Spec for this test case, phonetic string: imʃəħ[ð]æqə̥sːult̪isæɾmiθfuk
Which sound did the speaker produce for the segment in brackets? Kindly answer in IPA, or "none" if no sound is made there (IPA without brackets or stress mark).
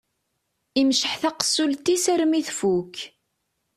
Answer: θ